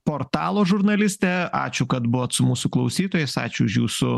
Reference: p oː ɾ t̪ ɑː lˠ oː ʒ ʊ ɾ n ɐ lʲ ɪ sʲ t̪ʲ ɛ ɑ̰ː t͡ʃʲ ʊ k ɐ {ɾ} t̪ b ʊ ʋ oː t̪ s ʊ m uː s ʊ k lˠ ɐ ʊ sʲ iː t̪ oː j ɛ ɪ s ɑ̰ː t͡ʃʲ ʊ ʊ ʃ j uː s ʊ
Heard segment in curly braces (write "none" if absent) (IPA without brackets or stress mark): none